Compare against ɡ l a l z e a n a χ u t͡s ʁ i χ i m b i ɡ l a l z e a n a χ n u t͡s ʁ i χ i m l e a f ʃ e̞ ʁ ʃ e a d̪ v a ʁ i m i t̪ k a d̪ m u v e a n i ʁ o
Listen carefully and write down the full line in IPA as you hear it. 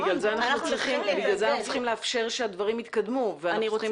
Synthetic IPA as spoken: ɡ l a l z e a n a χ u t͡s ʁ i χ i m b i ɡ l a l z e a n a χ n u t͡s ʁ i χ i m l e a f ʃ e̞ ʁ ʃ e a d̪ v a ʁ i m i t̪ k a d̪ m u v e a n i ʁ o